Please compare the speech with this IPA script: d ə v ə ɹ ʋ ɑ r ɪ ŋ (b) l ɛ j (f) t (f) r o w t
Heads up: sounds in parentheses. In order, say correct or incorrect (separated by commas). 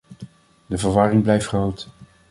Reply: correct, correct, incorrect